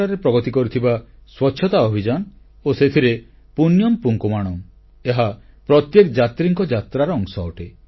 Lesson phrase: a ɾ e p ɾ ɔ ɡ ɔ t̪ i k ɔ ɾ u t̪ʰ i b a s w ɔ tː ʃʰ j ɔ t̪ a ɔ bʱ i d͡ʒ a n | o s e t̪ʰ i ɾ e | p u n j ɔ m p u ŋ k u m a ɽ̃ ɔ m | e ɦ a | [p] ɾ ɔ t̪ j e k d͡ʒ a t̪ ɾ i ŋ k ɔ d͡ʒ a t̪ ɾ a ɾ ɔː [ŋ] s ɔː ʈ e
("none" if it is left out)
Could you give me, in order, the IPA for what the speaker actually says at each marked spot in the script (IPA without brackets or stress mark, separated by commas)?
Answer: p, ŋ